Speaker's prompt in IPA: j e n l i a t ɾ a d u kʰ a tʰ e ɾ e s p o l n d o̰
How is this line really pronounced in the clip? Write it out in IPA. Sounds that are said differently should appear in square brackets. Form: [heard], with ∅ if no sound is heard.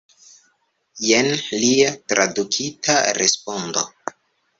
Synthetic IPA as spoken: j e n l i a t ɾ a d u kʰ [i] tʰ [a] ɾ e s p o [∅] n d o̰